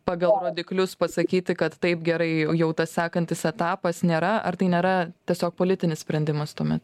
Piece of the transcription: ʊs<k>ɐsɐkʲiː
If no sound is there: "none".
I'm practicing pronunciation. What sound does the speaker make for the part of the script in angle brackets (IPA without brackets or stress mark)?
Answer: p